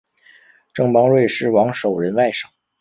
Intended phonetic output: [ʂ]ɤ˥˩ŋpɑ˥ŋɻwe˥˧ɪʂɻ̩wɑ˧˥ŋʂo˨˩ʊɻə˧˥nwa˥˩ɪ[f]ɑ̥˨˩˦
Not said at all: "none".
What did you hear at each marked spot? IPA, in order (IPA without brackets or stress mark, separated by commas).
ʈ͡ʂ, ʂ